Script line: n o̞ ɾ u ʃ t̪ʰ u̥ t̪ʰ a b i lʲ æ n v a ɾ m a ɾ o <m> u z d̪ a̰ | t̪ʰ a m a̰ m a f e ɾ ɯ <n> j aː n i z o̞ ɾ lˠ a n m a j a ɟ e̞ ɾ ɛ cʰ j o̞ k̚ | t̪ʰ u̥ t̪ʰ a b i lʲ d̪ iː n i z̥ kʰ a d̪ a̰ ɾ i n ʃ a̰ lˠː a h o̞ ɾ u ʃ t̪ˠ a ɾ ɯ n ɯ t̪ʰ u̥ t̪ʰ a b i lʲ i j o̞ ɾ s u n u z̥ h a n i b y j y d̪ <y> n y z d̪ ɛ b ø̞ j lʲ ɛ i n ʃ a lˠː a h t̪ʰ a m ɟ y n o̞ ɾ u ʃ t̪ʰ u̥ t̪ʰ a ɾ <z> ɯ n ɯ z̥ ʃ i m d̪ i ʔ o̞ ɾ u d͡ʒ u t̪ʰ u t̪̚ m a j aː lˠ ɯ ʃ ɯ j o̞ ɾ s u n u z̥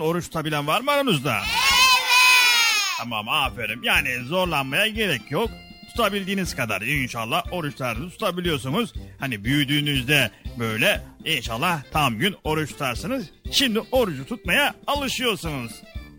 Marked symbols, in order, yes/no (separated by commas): no, no, no, no